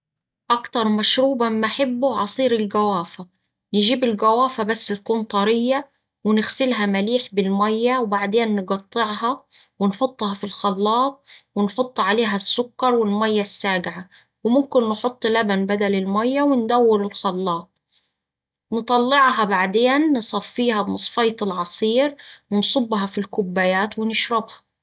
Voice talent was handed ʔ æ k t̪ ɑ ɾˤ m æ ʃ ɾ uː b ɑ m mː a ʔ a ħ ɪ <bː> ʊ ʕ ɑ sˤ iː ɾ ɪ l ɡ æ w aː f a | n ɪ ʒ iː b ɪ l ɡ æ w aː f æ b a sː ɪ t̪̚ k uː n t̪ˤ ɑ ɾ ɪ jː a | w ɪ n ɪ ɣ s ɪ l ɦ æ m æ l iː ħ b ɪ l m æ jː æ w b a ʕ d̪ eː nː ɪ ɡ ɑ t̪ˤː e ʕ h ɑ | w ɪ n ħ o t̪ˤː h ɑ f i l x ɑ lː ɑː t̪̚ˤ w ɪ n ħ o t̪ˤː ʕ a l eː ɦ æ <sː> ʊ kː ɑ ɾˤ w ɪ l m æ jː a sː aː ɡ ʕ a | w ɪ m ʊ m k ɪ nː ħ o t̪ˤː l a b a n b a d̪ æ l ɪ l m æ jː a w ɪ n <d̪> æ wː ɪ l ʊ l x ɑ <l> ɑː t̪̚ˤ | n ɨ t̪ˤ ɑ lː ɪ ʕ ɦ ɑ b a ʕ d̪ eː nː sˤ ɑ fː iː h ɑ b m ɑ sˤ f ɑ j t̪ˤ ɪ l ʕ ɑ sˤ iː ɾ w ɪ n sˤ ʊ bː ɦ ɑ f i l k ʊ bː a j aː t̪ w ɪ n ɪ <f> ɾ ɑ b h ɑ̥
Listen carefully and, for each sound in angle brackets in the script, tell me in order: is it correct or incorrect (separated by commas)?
correct, correct, correct, incorrect, incorrect